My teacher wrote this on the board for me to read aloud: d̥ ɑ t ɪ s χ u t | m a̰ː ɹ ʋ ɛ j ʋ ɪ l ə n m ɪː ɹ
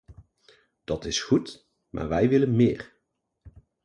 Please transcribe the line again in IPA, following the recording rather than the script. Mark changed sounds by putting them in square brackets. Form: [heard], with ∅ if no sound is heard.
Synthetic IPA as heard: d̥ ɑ t ɪ s χ u t | m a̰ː ɹ ʋ ɛ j ʋ ɪ l ə n m ɪː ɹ